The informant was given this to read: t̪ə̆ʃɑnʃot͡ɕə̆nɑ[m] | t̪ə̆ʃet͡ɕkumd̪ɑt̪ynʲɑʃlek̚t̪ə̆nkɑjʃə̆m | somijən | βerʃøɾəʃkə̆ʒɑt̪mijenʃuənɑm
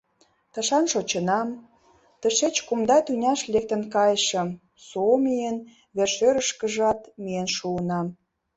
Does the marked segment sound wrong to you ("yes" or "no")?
no